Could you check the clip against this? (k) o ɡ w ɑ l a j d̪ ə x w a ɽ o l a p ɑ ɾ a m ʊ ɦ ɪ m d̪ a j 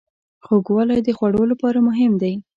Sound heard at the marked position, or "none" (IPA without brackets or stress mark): x